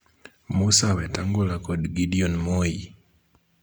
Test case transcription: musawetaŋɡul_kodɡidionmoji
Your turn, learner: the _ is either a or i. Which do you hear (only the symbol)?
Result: a